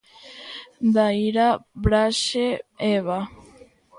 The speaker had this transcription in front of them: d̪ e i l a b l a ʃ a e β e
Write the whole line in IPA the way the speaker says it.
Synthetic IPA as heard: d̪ a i ɾ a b ɾ a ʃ e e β a

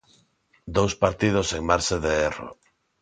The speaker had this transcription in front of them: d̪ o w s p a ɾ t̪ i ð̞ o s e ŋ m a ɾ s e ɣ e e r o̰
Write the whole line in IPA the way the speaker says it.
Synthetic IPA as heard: d̪ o w s p a ɾ t̪ i ð̞ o s e ŋ m a ɾ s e ð e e r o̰

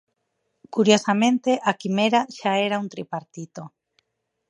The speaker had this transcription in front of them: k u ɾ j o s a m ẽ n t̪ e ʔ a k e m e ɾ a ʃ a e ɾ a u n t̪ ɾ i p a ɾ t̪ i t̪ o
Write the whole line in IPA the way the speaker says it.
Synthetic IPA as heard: k u ɾ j o s a m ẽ n t̪ e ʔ a k i m e ɾ a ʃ a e ɾ a u n t̪ ɾ i p a ɾ t̪ i t̪ o

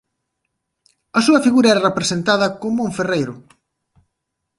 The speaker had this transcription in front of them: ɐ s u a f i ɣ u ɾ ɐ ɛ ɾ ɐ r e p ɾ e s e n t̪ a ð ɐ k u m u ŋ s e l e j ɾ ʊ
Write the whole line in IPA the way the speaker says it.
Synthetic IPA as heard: ɐ s u ɐ f i ɣ u ɾ ɐ ɛ ɾ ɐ r e p ɾ e s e n t̪ a ð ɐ k o m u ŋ f e r e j ɾ ʊ

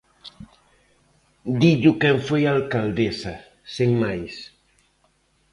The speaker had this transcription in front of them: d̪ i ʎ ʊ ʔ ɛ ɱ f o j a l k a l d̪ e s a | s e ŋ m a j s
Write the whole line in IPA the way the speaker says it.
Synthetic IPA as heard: d̪ i ʎ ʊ k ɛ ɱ f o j a l k a l d̪ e s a | s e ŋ m a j s

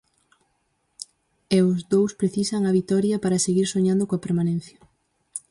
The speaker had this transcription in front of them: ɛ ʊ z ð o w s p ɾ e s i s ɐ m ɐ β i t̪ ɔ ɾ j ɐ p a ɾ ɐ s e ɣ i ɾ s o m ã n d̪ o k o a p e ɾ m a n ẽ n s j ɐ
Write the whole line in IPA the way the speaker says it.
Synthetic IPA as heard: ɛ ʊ z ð o w s p ɾ e θ i s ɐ ŋ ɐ β i t̪ ɔ ɾ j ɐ p a ɾ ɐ s e ɣ i ɾ s o ɲ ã n d̪ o k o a p e ɾ m a n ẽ n θ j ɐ

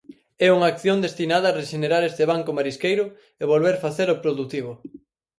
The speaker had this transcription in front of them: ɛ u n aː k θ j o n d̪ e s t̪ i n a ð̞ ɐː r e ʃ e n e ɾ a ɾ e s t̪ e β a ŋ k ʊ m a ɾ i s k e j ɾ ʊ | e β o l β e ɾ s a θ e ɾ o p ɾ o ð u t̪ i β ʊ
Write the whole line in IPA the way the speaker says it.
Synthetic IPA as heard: ɛ u ŋ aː k θ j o n d̪ e s t̪ i n a ð̞ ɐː r e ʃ e n e ɾ a ɾ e s t̪ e β a ŋ k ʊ m a ɾ i s k e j ɾ ʊ | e β o l β e ɾ f a θ e ɾ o p ɾ o ð u t̪ i β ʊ

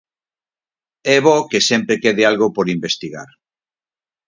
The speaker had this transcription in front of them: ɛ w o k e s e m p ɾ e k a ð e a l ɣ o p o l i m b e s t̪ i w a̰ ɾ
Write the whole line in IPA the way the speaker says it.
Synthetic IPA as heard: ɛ β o k e s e m p ɾ e k e ð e a l ɣ o p o ɾ i m b e s t̪ i ɣ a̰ ɾ

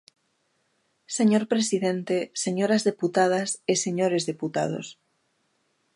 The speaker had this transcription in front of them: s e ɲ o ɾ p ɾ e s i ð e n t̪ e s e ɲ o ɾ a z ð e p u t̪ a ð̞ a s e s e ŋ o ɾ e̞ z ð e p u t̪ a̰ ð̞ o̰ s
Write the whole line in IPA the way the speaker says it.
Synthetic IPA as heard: s e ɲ o ɾ p ɾ e s i ð e n t̪ e s e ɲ o ɾ a z ð e p u t̪ a ð̞ a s e s e ɲ o ɾ e̞ z ð e p u t̪ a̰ ð̞ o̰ s

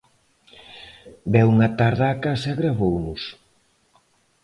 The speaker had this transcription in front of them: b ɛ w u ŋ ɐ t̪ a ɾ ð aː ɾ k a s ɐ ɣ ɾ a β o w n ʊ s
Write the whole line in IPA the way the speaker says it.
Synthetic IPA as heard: b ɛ w u ŋ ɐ t̪ a ɾ ð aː k a s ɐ ɣ ɾ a β o w n ʊ s

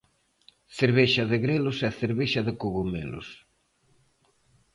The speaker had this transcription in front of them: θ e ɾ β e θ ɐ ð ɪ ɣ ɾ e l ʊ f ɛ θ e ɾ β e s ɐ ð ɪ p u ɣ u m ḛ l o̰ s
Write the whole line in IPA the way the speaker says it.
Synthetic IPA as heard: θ e ɾ β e ʃ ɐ ð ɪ ɣ ɾ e l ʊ s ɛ θ e ɾ β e ʃ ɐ ð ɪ k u ɣ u m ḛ l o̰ s

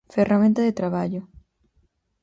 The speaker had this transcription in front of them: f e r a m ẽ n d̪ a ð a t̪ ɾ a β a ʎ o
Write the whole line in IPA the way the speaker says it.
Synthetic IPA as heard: f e r a m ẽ n t̪ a ð e t̪ ɾ a β a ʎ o

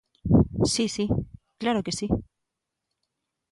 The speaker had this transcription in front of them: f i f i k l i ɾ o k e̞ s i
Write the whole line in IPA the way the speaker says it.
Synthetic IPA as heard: s i s i k l a ɾ o k e̞ s i

